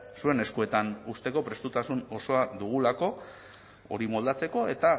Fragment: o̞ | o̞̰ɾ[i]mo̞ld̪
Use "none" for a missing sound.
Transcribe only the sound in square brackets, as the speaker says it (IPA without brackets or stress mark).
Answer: i